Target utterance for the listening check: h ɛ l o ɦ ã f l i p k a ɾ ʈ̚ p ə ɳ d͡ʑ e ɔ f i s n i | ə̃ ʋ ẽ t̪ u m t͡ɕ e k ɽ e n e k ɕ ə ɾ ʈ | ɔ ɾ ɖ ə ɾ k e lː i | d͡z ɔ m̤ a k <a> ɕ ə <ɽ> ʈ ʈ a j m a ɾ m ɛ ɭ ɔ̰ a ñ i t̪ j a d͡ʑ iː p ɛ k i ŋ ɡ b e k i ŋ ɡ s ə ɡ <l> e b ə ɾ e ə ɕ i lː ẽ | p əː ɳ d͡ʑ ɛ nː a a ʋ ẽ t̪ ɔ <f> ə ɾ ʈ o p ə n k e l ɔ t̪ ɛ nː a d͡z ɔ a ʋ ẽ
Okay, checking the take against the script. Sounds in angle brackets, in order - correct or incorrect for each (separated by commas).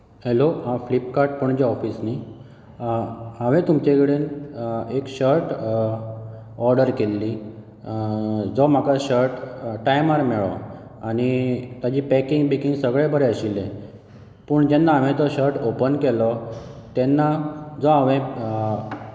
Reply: correct, incorrect, incorrect, incorrect